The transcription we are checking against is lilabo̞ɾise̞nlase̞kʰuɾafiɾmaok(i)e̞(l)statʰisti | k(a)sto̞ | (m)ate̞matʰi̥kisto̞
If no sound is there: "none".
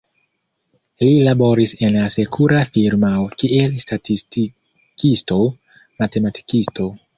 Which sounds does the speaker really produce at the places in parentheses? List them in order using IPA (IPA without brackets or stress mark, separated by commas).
i, l, i, m